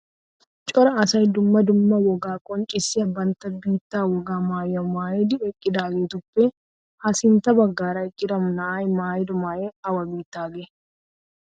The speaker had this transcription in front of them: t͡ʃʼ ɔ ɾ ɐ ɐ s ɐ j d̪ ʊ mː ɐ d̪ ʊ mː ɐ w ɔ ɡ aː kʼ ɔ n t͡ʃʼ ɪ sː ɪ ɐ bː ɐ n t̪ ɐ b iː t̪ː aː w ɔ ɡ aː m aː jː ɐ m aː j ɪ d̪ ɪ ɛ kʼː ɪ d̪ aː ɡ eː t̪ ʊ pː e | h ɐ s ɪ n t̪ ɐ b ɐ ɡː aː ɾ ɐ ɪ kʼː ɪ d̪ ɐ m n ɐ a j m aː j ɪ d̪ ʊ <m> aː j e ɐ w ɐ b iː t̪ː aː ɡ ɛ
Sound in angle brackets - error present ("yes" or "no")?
no